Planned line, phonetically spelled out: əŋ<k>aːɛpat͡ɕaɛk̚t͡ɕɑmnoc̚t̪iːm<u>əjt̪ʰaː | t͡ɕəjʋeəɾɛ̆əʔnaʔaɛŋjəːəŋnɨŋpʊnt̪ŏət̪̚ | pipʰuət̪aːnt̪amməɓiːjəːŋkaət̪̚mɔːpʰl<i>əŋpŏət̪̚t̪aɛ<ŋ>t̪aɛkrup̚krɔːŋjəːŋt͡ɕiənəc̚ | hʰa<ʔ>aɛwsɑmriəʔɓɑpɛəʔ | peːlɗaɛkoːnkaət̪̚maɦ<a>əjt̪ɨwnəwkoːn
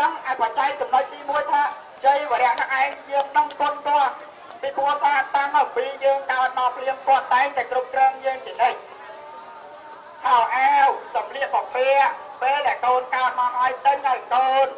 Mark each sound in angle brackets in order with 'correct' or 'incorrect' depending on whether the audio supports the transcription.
incorrect: ʔ, correct, correct, correct, correct, correct

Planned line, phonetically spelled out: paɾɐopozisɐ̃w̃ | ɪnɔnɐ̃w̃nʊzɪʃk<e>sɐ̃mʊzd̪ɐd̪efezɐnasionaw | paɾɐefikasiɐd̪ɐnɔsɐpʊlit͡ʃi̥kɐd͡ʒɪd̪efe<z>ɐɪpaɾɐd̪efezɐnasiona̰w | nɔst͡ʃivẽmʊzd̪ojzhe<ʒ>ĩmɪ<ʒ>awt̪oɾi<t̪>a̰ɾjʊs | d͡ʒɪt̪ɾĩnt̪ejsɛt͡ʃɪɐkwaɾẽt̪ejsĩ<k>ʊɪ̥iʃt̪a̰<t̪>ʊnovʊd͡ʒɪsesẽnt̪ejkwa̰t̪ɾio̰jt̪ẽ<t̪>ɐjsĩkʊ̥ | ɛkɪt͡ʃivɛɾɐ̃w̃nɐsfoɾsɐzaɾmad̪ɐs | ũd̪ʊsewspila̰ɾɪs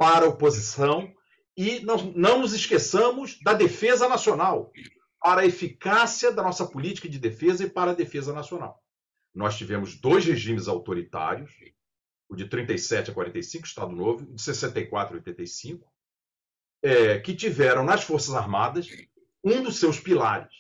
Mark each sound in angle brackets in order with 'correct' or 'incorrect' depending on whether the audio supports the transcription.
correct, correct, correct, incorrect: z, correct, correct, incorrect: d̪, correct

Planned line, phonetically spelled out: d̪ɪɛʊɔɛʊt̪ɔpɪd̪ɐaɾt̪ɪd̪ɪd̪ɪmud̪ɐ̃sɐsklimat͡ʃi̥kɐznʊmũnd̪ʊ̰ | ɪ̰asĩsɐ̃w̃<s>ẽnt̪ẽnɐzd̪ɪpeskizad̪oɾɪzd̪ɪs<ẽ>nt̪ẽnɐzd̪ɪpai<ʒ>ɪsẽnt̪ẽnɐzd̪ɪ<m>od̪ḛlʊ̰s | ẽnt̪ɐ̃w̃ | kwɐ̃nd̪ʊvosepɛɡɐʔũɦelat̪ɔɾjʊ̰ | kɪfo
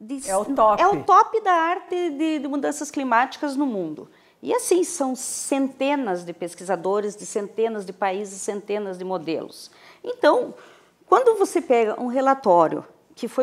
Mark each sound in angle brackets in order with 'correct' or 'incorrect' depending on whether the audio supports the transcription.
correct, correct, incorrect: z, correct

